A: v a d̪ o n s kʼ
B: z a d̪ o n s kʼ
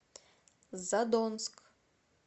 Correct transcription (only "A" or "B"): B